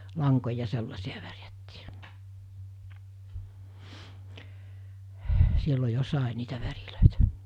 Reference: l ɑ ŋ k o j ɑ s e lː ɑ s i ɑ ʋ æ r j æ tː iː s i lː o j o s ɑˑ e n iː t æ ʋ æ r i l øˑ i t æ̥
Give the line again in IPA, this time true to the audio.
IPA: l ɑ ŋ k o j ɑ s e lː ɑ s i ɑ ʋ æ r j æ tː iː s i lː o j o s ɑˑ e n iː t æ ʋ æ r i l øˑ i t æ̥